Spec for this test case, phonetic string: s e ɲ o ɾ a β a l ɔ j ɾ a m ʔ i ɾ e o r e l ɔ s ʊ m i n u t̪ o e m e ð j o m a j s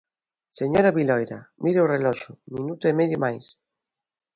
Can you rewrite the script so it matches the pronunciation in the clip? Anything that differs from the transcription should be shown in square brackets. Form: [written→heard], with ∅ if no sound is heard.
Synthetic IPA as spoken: s e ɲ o ɾ a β [a→i] l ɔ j ɾ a m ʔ i ɾ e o r e l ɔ [s→ʃ] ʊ m i n u t̪ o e m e ð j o m a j s